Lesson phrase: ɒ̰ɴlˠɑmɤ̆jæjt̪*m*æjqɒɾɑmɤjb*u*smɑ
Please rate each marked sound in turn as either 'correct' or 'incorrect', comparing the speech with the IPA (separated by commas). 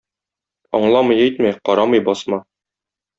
correct, incorrect